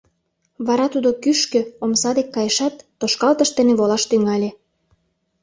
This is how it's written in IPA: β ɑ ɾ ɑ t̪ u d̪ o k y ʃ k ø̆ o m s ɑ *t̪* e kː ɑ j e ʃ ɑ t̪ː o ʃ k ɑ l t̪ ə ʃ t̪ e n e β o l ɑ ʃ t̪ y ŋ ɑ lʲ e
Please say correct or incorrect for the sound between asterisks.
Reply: incorrect